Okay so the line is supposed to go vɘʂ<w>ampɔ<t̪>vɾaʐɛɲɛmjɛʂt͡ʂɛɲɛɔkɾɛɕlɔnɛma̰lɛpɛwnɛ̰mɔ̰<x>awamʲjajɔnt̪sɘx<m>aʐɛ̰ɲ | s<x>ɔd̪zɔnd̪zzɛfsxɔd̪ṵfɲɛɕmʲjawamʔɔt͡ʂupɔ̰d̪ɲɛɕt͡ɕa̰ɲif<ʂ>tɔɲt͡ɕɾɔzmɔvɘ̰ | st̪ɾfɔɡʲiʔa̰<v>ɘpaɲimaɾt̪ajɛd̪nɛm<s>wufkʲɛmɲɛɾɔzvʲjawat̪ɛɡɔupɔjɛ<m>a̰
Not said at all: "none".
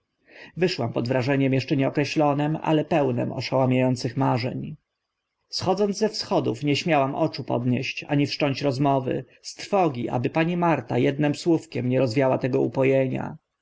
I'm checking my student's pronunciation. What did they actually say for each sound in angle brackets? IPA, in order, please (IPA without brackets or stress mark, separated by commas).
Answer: w, d̪, ʂ, m, x, ʂ, b, s, ɲ